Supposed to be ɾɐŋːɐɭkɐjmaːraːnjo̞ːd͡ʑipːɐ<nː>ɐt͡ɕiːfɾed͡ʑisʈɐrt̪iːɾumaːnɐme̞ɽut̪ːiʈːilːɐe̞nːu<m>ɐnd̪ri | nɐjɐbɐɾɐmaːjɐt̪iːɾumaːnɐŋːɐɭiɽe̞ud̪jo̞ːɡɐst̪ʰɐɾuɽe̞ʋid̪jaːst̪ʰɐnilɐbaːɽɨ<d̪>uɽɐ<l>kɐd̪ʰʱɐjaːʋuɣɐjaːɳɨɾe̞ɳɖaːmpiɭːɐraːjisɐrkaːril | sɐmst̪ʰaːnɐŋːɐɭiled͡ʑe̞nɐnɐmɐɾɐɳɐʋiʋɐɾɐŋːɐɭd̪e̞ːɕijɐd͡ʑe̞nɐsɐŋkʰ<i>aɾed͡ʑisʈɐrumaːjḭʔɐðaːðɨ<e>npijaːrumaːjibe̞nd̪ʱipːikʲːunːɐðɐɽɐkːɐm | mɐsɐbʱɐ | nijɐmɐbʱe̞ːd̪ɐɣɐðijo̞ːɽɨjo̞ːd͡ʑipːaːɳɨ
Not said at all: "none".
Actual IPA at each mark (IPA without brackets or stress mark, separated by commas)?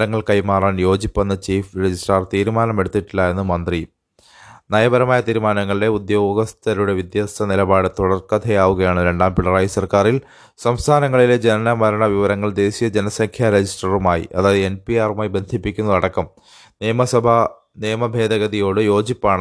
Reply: nː, m, t̪, r, j, e